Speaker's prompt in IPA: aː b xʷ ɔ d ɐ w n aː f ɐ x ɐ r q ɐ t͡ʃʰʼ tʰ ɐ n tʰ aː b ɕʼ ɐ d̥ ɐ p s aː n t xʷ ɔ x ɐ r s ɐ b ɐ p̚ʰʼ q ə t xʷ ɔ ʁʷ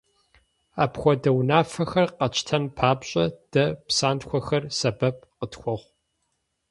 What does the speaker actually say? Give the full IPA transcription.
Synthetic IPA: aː p xʷ ɔ d ɐ w n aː f ɐ x ɐ r q ɐ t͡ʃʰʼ tʰ ɐ n pʰ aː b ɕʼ ɐ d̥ ɐ p s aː n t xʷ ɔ x ɐ r s ɐ b ɐ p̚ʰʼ q ə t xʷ ɔ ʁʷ